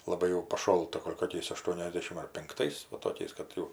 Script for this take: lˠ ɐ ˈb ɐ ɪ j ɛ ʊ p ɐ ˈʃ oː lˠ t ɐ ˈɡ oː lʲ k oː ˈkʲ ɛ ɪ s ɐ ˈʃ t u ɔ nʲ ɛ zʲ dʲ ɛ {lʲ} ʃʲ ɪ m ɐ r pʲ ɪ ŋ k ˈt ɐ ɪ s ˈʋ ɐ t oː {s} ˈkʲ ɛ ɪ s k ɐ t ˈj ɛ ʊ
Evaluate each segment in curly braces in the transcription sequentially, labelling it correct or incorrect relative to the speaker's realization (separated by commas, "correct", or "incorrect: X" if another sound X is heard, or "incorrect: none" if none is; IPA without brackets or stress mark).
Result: incorrect: none, incorrect: none